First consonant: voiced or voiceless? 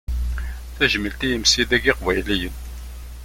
voiceless